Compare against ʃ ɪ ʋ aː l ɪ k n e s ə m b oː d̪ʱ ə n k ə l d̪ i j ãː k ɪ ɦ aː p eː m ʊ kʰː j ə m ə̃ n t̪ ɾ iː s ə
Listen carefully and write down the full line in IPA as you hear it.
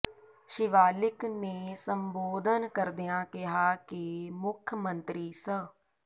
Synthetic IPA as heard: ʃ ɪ ʋ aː l ɪ k n e s ə m b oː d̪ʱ ə n k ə ɾ d̪ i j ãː k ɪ ɦ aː k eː m ʊ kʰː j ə m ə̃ n t̪ ɾ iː s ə